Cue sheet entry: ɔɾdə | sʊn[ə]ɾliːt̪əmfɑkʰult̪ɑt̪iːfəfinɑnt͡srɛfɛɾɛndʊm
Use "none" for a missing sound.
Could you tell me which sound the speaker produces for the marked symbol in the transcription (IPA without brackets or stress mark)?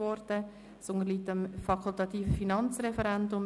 ə